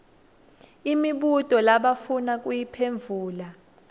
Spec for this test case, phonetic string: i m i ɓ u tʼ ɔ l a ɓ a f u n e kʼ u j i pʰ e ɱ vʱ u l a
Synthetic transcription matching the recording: i m i ɓ u tʼ ɔ l a ɓ a f u n a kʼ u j i pʰ e ɱ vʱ uː l a